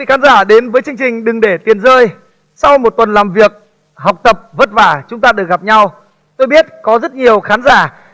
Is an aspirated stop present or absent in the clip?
absent